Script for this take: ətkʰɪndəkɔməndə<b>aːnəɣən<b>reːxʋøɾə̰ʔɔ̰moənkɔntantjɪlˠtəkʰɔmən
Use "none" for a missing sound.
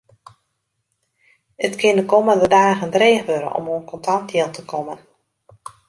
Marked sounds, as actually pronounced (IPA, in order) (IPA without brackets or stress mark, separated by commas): d, d